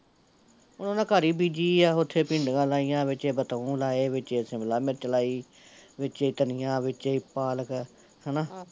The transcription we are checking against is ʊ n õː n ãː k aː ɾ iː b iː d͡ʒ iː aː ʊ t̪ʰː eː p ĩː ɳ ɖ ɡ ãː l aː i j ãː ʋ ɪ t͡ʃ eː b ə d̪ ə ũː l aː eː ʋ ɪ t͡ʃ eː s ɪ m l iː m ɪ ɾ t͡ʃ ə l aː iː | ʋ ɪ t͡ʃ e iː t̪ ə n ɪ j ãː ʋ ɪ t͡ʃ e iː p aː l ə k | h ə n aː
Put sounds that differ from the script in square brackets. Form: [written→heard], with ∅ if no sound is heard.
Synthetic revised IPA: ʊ n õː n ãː k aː ɾ iː b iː d͡ʒ iː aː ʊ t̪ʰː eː p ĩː ɳ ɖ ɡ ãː l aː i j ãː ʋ ɪ t͡ʃ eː b ə [d̪→t̪] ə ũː l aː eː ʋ ɪ t͡ʃ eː s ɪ m l [iː→aː] m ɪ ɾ t͡ʃ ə l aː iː | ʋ ɪ t͡ʃ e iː t̪ ə n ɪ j ãː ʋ ɪ t͡ʃ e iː p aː l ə k | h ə n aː